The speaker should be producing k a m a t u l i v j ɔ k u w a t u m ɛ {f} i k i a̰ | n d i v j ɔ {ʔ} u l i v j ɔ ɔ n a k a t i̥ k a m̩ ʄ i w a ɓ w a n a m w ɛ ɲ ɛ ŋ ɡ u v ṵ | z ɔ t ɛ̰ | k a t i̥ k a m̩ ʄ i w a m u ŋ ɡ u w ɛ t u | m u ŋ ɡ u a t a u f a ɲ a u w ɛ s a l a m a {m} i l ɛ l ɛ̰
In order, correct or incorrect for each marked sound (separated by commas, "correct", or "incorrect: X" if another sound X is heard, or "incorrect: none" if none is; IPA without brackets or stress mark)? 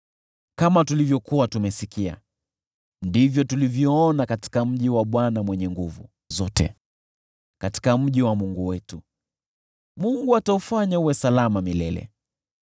incorrect: s, incorrect: t, correct